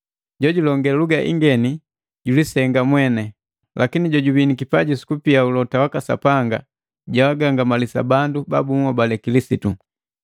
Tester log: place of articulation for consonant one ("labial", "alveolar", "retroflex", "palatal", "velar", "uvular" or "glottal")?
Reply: palatal